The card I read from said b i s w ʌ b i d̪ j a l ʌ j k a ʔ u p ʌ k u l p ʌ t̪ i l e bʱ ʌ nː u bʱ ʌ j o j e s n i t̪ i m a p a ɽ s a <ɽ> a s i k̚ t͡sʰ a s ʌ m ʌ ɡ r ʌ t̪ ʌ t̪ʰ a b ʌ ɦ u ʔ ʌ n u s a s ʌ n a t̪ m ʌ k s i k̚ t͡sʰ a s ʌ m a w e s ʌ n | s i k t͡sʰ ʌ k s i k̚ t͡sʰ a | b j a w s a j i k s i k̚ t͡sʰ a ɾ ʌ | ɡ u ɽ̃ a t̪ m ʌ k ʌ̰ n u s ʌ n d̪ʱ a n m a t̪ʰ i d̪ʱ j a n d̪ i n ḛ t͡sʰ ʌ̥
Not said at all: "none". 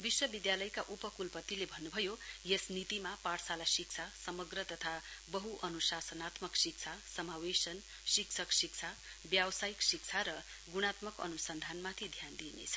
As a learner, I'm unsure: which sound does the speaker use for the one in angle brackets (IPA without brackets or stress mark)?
l